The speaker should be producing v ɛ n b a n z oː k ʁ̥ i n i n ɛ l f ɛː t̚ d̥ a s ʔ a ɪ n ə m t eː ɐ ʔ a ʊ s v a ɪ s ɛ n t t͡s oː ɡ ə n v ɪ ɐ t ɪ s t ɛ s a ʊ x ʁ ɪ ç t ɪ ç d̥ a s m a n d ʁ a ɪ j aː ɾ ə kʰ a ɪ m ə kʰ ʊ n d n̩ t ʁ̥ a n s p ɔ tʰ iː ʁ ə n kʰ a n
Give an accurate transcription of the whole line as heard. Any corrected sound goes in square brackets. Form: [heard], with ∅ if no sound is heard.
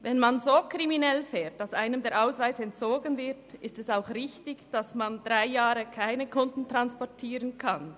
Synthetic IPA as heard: v ɛ n [m] a n z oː k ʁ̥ i [m] i n ɛ l f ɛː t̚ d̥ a s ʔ a ɪ n ə m [d] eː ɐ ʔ a ʊ s v a ɪ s ɛ n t t͡s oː ɡ ə n v ɪ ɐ t ɪ s t ɛ s a ʊ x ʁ ɪ ç t ɪ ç d̥ a s m a n d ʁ a ɪ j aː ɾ ə kʰ a ɪ [n] ə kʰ ʊ n d n̩ t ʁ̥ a n s p ɔ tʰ iː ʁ ə n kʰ a n